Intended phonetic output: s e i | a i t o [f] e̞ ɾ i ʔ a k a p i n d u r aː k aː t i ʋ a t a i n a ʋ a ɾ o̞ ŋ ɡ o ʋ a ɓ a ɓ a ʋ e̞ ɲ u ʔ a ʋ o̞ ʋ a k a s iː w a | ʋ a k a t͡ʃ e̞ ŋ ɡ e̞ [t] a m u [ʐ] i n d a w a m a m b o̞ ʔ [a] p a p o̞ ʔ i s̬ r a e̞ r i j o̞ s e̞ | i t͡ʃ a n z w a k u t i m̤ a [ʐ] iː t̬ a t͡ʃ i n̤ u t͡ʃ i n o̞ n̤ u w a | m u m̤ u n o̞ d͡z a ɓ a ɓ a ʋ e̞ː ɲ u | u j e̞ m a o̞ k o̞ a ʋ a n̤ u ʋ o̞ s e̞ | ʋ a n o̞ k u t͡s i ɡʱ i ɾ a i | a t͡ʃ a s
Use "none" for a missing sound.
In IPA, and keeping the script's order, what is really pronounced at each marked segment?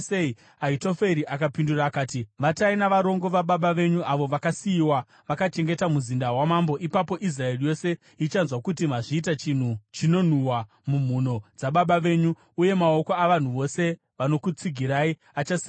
f, t, z, i, ʐ

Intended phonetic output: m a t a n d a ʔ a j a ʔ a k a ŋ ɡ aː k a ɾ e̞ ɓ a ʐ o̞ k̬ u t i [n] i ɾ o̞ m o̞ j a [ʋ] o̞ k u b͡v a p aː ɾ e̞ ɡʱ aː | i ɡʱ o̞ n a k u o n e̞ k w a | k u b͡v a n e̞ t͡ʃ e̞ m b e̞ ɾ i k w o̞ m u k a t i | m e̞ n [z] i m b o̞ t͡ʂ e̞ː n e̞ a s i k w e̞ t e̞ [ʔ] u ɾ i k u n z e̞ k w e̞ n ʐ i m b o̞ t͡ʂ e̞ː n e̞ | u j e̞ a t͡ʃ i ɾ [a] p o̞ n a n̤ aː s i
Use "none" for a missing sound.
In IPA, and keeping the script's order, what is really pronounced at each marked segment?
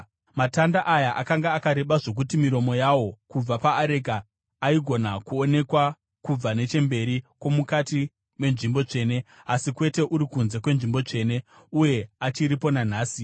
m, w, ʐ, ʔ, i

